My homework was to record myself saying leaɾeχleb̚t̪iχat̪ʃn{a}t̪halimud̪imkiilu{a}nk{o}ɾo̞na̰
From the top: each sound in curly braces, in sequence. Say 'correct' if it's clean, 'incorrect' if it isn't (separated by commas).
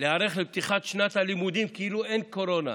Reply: correct, incorrect, correct